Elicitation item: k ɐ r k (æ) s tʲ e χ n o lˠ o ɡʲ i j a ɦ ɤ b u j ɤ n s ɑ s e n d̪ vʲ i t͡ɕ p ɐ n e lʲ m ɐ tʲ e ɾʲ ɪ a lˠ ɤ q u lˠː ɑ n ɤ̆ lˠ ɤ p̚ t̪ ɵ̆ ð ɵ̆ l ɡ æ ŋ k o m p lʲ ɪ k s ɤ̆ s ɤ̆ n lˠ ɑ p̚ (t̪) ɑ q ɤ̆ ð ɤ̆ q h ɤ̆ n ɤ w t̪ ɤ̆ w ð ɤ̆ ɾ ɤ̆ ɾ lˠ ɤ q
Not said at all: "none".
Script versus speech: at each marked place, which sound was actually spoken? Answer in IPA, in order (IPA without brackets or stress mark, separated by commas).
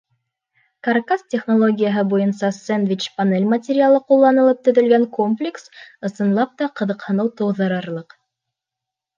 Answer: a, t̪